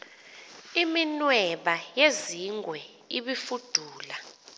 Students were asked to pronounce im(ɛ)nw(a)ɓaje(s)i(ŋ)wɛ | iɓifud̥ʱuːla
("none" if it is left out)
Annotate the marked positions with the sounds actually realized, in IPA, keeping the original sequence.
i, ɛ, z, ŋ

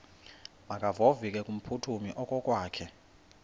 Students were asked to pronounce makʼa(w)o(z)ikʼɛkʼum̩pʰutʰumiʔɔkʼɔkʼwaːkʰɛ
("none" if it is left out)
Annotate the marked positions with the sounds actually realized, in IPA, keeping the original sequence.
v, v

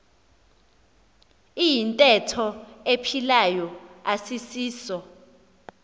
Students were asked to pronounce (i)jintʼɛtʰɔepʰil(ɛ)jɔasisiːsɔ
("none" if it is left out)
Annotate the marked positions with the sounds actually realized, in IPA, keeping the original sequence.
i, a

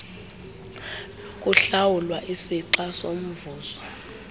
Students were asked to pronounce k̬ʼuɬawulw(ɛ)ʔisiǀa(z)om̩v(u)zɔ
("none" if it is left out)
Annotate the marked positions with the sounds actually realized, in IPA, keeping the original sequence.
a, s, uː

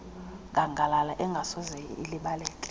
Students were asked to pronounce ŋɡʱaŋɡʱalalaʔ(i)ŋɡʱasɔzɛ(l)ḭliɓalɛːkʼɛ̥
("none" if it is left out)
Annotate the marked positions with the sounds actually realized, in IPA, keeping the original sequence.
ɛ, none

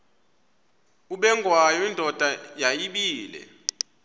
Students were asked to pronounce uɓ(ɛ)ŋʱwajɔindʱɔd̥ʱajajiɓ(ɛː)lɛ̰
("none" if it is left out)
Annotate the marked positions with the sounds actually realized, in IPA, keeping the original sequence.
ɛ, iː

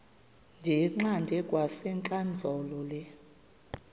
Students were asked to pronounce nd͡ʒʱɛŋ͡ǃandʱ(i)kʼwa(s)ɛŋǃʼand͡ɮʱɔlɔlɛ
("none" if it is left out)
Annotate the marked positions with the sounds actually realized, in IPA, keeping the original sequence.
ɛ, s

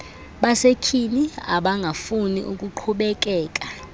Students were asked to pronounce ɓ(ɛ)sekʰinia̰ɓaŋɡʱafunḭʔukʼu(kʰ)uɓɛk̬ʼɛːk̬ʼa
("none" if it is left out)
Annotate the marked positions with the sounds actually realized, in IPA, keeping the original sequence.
a, ǃʰ

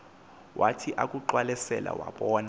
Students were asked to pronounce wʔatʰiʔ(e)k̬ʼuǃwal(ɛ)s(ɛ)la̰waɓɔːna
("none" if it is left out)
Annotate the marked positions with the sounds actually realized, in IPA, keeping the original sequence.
a, ɛ, ɛ

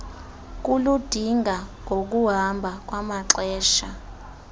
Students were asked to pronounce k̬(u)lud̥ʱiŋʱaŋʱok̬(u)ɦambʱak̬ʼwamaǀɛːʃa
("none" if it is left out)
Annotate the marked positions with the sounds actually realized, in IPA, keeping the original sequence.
u, u

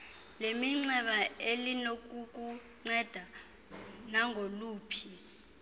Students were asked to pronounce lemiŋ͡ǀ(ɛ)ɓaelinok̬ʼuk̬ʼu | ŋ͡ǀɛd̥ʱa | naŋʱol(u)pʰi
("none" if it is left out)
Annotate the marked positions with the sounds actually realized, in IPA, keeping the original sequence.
ɛ, uː

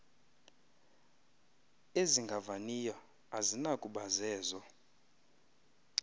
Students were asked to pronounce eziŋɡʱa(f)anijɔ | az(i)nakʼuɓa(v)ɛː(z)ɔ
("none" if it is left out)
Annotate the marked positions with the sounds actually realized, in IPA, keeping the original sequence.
v, i, z, z

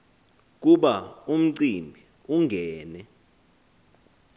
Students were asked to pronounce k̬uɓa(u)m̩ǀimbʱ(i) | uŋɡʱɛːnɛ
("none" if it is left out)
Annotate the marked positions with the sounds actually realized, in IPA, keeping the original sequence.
u, i

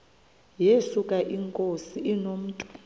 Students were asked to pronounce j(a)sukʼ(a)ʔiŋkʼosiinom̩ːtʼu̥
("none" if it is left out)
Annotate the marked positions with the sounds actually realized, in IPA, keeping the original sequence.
e, a

